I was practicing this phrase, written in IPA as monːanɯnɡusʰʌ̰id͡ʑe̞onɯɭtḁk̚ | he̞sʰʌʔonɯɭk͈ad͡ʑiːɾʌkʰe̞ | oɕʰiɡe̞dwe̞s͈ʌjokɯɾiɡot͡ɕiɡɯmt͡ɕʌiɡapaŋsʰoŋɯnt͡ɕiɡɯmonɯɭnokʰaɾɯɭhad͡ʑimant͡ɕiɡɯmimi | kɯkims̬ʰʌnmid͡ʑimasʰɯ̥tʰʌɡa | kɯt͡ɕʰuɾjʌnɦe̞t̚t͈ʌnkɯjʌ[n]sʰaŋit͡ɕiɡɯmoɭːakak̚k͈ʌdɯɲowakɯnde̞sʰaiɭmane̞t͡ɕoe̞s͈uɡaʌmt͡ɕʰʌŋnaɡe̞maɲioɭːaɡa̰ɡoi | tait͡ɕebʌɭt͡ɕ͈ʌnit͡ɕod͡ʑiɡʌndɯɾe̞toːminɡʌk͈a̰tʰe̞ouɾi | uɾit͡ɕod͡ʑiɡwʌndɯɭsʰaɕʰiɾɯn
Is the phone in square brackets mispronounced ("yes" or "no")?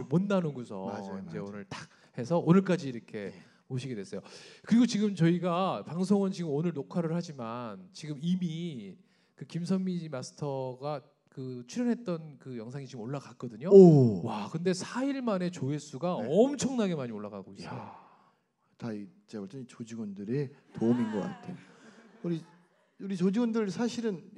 yes